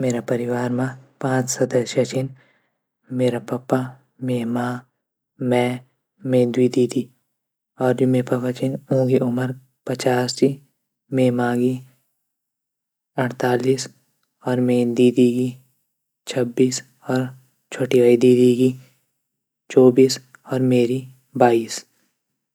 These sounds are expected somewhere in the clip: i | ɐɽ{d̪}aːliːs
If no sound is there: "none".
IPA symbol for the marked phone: t̪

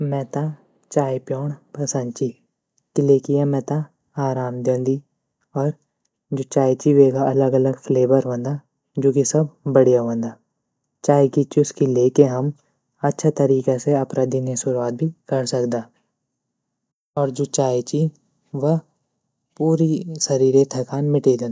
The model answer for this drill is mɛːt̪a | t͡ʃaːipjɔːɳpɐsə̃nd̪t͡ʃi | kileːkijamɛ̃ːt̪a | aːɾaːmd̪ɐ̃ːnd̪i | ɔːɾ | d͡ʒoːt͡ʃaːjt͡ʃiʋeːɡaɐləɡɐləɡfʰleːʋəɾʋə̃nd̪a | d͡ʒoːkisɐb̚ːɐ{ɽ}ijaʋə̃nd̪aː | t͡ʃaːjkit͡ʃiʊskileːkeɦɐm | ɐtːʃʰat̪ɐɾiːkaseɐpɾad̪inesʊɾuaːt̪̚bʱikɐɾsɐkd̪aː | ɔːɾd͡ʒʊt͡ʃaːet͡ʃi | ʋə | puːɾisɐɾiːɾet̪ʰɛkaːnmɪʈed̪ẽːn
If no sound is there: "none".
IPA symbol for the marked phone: ɽ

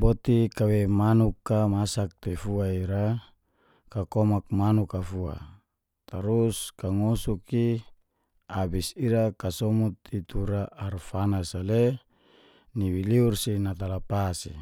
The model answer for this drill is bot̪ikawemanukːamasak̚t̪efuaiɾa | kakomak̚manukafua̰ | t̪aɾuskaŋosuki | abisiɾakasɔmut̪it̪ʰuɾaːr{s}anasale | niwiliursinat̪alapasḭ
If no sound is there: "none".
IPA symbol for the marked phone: f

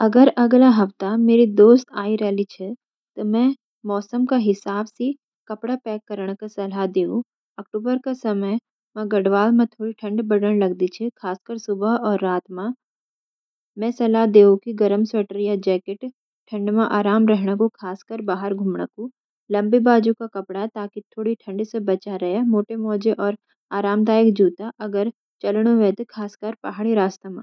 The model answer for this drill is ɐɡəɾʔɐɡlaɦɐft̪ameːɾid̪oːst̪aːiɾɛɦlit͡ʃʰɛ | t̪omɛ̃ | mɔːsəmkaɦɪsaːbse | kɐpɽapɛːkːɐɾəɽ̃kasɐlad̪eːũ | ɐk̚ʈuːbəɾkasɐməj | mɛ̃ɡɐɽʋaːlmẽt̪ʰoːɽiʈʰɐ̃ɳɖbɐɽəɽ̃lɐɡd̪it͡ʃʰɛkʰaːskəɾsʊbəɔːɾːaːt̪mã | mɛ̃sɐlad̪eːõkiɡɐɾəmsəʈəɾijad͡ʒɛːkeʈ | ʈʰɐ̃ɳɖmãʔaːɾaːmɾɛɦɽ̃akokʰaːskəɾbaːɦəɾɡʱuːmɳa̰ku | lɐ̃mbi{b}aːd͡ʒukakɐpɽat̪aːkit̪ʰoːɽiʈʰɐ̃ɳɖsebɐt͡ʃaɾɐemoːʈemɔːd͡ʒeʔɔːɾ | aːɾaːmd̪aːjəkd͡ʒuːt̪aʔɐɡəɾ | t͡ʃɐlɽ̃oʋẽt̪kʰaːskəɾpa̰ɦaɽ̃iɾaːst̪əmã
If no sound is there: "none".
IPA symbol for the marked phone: b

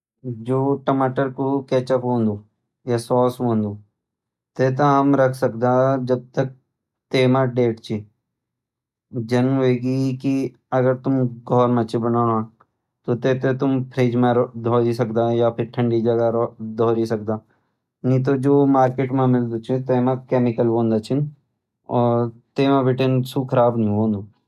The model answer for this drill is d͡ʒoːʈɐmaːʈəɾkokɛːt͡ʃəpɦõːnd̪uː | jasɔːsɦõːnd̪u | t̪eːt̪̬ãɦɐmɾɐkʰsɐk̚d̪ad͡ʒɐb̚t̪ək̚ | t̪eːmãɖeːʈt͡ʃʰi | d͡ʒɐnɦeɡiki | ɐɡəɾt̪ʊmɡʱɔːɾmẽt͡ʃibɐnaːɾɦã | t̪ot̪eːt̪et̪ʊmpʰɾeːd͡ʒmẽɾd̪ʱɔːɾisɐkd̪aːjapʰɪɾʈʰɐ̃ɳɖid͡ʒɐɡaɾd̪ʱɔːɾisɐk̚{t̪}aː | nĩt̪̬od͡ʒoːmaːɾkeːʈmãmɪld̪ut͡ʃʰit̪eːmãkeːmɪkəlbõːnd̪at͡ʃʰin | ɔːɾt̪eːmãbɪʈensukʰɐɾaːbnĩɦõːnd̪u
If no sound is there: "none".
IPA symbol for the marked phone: d̪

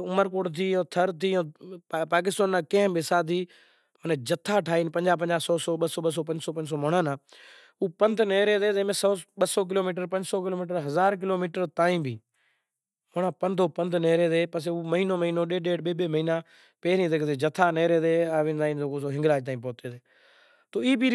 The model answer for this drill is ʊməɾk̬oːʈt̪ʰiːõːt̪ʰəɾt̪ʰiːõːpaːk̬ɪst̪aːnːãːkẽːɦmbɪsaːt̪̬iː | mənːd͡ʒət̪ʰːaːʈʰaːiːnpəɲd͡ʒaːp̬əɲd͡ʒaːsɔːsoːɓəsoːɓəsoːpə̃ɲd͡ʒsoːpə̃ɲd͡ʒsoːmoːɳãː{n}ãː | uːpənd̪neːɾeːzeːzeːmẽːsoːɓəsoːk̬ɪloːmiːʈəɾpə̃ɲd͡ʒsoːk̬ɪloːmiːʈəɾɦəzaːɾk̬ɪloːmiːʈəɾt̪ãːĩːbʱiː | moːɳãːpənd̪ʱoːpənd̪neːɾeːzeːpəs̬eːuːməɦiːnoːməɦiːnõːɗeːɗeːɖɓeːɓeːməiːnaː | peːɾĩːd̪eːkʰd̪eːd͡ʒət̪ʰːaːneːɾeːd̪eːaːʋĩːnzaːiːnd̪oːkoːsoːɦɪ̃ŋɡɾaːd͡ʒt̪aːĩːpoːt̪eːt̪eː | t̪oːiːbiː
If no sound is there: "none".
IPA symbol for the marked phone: n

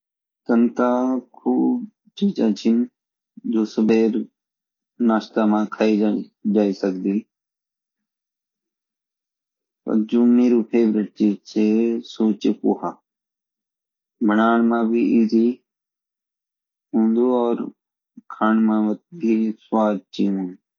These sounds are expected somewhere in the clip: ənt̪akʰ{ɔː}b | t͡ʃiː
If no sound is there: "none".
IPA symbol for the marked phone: uː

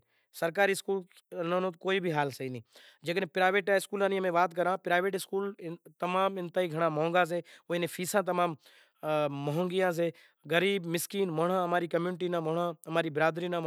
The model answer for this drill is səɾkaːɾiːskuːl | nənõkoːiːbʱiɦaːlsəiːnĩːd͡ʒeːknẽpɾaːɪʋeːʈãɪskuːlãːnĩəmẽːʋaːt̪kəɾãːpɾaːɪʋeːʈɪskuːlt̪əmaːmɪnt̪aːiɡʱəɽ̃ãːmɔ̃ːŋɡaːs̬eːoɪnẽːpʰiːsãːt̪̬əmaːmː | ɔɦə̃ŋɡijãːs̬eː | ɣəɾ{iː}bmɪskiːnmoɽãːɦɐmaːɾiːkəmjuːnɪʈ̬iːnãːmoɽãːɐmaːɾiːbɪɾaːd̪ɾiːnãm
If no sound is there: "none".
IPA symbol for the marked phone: iː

